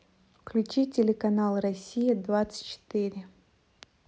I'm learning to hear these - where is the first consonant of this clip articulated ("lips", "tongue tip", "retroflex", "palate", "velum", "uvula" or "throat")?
lips